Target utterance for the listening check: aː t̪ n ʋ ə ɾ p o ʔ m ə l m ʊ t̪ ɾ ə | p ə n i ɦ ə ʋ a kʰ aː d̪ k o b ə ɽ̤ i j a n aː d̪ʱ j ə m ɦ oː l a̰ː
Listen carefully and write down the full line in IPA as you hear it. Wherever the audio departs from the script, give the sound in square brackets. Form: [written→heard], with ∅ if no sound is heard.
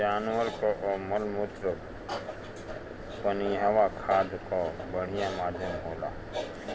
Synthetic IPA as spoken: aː [t̪→∅] n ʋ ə ɾ [p→k] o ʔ m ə l m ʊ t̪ ɾ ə | p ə n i ɦ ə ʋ a kʰ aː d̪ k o b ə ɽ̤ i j a [n→m] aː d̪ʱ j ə m ɦ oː l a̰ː